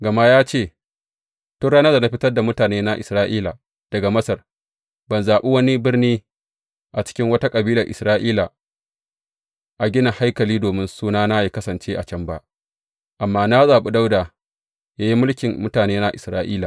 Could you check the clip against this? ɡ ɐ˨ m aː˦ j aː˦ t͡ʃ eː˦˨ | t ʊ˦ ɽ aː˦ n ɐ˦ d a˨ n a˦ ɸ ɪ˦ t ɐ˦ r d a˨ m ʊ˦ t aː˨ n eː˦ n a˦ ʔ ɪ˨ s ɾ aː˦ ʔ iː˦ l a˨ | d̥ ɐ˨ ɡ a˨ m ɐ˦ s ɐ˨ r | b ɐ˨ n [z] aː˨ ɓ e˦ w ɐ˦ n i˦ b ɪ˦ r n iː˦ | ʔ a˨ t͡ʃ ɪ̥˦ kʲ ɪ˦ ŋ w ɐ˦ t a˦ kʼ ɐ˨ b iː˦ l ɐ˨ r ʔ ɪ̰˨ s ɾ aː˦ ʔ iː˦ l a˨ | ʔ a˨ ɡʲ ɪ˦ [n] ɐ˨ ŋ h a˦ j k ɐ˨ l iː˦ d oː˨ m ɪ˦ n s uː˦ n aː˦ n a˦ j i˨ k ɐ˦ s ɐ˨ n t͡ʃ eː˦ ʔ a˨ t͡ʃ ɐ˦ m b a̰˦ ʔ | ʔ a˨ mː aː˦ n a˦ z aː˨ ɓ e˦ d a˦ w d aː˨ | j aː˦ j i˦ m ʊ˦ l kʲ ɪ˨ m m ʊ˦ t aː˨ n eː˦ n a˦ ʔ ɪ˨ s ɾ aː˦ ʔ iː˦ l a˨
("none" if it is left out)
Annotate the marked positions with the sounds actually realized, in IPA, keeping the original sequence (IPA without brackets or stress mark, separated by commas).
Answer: z, n